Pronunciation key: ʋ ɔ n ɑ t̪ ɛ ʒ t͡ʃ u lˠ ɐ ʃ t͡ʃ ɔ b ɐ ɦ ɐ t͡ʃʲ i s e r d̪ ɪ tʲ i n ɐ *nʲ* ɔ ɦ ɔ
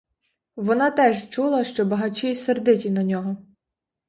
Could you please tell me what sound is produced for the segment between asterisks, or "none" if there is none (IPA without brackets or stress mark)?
nʲ